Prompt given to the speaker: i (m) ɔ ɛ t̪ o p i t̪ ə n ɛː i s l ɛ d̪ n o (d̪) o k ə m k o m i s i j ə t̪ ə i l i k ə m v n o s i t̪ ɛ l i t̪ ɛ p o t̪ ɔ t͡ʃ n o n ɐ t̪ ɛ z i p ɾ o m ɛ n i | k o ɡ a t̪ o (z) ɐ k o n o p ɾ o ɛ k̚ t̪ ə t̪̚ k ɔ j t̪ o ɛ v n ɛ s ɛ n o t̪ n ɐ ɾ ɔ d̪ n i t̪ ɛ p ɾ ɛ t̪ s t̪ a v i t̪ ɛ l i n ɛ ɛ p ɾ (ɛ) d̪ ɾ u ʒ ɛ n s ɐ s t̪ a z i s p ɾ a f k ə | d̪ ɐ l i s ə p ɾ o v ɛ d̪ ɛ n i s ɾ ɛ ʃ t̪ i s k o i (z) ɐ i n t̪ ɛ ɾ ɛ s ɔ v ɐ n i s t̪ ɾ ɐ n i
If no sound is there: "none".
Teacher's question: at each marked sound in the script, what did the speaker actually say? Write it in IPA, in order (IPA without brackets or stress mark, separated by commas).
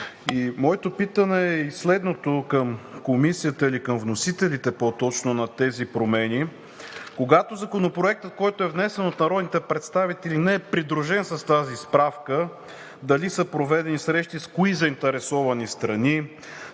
m, t̪, z, i, z